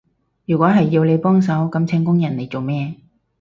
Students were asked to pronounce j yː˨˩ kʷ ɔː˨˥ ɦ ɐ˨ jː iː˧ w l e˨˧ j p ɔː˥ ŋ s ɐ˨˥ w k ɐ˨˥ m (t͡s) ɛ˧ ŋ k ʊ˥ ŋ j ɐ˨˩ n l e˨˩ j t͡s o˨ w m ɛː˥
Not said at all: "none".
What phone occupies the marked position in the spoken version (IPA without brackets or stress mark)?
t͡sʰ